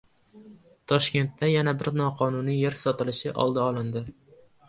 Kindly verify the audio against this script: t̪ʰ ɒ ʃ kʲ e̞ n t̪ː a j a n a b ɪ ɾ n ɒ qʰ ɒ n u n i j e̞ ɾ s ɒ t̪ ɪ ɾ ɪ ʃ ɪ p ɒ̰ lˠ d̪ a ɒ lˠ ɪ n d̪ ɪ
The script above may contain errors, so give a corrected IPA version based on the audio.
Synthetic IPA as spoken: t̪ʰ ɒ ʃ kʲ e̞ n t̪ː a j a n a b ɪ ɾ n ɒ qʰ ɒ n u n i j e̞ ɾ s ɒ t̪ ɪ l ɪ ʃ ɪ ʔ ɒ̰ lˠ d̪ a ɒ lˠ ɪ n d̪ ɪ